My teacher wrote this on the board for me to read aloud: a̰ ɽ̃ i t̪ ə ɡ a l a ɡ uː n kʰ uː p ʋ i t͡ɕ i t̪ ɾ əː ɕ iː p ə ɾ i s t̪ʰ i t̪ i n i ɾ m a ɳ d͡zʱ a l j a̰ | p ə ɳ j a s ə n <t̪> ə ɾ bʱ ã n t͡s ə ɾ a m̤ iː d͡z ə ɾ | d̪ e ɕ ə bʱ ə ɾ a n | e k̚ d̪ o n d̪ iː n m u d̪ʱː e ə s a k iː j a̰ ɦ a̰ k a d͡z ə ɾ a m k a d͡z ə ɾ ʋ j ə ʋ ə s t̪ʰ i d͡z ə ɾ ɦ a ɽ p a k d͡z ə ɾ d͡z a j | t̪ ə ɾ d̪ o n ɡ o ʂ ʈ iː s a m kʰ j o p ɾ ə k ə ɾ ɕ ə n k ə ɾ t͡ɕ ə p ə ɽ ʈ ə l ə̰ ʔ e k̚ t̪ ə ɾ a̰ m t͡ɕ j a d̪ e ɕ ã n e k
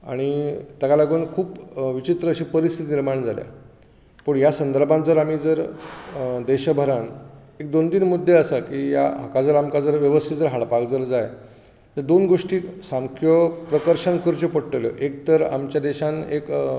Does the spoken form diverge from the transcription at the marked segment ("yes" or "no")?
yes